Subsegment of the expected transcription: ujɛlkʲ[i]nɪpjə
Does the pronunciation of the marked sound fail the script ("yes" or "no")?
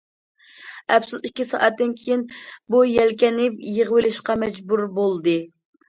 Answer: yes